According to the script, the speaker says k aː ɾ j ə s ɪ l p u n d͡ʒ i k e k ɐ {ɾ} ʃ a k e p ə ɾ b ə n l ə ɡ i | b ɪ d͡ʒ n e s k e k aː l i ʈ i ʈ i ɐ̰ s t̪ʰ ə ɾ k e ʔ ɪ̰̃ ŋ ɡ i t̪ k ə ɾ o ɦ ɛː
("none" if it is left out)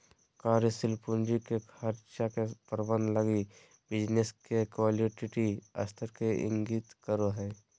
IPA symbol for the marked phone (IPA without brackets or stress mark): ɾ